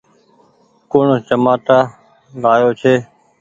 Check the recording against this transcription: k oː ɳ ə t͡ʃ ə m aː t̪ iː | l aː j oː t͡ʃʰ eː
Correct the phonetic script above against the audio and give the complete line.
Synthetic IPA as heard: k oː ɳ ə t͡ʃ ə m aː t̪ aː | l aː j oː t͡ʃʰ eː